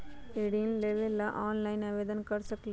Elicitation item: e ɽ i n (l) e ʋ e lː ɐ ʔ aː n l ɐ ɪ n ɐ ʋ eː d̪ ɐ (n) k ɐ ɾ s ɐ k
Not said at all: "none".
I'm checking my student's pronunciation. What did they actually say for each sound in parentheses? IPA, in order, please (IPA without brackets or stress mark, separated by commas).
l, n